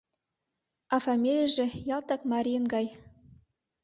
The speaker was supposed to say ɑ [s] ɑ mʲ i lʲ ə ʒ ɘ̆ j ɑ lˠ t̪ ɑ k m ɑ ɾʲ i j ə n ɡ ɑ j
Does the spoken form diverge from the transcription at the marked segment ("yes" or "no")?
yes